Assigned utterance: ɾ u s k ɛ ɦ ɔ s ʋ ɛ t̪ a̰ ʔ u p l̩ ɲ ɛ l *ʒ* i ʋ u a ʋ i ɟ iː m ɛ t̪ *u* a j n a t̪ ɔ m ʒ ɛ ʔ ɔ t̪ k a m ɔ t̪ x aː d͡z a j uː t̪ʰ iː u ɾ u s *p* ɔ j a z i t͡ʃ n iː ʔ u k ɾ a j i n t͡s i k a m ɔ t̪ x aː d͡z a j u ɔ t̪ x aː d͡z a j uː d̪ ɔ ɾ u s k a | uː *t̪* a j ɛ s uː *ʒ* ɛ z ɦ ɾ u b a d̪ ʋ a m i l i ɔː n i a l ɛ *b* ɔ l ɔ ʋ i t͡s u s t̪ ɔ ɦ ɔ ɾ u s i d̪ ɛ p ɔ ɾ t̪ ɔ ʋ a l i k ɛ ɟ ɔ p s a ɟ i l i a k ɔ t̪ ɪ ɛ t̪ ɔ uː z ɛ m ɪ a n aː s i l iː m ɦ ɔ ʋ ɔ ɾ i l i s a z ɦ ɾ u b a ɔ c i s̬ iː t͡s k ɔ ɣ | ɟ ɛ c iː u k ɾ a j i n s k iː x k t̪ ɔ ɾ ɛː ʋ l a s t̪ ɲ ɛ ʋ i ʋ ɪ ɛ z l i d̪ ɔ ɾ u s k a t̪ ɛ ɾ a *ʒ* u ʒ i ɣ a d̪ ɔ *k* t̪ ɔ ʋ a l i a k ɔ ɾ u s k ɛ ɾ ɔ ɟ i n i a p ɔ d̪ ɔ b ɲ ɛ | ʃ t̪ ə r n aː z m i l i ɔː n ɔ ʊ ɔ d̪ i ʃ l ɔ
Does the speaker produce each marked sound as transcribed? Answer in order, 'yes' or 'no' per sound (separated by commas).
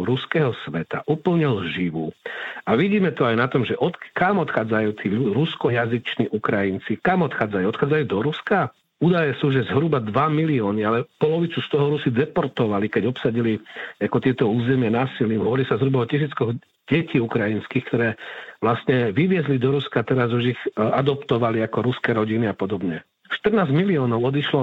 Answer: yes, no, no, no, yes, no, no, no